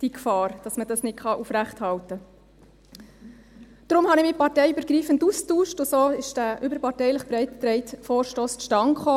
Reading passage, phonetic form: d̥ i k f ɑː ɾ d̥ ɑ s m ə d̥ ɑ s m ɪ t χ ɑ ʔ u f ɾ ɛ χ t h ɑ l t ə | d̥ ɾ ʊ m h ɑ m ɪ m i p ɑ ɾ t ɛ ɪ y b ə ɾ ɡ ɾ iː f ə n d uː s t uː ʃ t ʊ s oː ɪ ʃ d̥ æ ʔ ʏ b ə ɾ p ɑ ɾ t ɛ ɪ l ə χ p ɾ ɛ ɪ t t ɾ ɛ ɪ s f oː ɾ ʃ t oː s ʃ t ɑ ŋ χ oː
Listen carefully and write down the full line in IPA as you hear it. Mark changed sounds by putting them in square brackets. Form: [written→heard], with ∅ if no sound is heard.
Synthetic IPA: d̥ i k f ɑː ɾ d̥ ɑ s m ə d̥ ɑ s [m→n] ɪ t χ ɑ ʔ u f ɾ [ɛ→æ] χ t h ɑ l t ə | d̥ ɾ ʊ m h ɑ [m→n] ɪ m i p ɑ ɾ t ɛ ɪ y b ə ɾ ɡ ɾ iː f ə n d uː s t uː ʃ t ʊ s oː ɪ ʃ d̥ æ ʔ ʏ b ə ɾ p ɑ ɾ t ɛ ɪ l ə χ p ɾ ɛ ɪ t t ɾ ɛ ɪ [s→t] f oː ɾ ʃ t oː s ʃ t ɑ ŋ χ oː

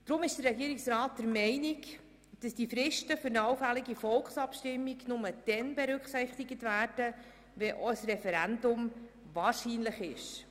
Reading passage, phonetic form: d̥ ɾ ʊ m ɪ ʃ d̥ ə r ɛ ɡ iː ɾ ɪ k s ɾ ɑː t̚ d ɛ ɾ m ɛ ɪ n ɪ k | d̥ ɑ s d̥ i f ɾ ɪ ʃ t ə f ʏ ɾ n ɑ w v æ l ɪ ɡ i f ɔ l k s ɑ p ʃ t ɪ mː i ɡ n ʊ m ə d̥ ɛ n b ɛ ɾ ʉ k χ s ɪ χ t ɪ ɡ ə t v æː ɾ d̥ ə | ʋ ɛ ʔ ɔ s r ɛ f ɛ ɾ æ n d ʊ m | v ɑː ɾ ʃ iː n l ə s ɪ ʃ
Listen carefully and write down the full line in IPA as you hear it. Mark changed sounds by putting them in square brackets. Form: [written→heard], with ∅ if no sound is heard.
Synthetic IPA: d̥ ɾ ʊ m ɪ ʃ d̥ ə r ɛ ɡ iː ɾ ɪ k s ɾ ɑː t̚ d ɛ ɾ m ɛ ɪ n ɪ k | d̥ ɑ s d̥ i f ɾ ɪ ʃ t ə f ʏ ɾ n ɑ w [v→f] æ l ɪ ɡ i f ɔ l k s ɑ p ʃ t ɪ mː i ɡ n ʊ m ə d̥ ɛ n b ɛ ɾ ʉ k χ s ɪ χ t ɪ ɡ ə t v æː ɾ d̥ ə | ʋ ɛ ʔ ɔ s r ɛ f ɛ ɾ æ n d ʊ m | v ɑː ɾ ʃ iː n l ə [s→χ] ɪ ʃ

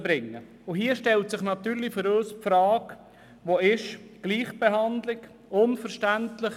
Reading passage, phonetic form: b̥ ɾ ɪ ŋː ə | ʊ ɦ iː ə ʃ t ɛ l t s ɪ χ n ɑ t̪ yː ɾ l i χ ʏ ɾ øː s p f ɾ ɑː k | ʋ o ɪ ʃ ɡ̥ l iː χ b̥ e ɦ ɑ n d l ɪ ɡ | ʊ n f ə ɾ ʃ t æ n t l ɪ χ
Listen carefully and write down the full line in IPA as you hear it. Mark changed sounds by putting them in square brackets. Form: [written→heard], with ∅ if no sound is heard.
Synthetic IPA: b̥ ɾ ɪ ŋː ə | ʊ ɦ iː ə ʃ t ɛ l t s ɪ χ n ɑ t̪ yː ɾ l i [χ→f] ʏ ɾ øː s p f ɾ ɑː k | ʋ o ɪ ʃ ɡ̥ l iː χ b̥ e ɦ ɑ n d l ɪ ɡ | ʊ n f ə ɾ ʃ t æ n t l ɪ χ

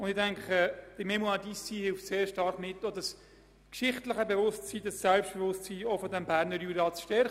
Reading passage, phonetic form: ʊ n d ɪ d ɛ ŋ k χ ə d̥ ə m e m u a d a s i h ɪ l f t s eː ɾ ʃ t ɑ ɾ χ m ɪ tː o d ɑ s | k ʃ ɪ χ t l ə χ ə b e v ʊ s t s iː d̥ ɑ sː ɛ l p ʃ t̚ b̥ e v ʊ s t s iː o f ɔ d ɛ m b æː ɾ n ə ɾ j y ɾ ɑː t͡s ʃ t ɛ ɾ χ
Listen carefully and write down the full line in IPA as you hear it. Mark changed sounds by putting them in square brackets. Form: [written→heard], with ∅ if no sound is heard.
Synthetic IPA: ʊ n d ɪ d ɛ ŋ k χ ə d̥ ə m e m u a d [a→i] s i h ɪ l f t s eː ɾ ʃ t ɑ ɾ χ m ɪ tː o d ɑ s | k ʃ ɪ χ t l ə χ ə b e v ʊ s t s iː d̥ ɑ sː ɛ l p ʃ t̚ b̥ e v ʊ s t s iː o f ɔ d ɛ m b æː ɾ n ə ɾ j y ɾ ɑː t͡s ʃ t ɛ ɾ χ

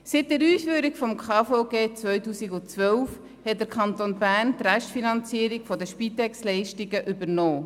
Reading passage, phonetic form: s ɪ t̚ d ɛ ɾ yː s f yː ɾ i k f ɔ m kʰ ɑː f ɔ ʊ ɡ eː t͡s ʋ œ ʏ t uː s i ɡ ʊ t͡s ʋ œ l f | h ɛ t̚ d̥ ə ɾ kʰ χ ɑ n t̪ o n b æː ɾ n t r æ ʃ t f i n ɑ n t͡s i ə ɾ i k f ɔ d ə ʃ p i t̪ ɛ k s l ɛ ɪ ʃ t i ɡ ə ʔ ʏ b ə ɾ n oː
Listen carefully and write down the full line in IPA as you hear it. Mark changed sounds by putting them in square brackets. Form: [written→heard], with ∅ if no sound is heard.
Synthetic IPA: s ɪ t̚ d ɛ ɾ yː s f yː ɾ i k f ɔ m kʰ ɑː f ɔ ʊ ɡ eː t͡s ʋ œ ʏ t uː s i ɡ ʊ t͡s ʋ œ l f | h ɛ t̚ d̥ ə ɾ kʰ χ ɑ n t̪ o n b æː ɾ n t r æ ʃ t f i n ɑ n t͡s i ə ɾ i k f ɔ d ə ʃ p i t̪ ɛ k s l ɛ ɪ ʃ t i ɡ ə ʔ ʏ b ə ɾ n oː

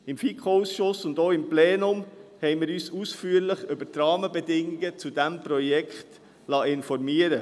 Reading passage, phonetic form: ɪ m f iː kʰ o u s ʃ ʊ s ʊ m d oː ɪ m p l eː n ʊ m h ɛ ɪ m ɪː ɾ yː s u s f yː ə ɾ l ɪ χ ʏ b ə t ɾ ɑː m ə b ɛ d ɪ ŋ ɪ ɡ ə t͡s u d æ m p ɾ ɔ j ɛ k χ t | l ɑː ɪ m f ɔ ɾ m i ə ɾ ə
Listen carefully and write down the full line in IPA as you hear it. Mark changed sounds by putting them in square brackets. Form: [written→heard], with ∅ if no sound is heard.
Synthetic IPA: ɪ m f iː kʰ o u s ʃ ʊ s ʊ [m→n] d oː ɪ m p l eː n ʊ m h ɛ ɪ m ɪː ɾ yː s u s f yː ə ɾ l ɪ χ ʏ b ə t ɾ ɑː m ə b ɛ d ɪ ŋ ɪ ɡ ə t͡s u d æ m p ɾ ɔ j ɛ k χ t | l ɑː ɪ [m→n] f ɔ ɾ m i ə ɾ ə

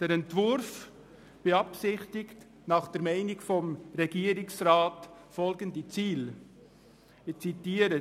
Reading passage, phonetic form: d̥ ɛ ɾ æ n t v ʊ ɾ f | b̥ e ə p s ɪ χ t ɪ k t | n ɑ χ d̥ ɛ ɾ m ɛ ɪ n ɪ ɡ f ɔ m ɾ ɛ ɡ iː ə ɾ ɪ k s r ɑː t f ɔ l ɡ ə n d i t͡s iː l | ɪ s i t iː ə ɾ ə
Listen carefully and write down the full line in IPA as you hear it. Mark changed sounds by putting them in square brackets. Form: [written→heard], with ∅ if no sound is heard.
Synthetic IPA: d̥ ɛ ɾ [æ→ɛ] n t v ʊ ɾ f | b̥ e [ə→ɑ] p s ɪ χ t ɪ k t | n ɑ χ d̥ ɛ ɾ m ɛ ɪ n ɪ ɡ f ɔ m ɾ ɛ ɡ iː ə ɾ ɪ k s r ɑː t f ɔ l ɡ ə n d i t͡s iː l | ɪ [s→t͡s] i t iː ə ɾ ə

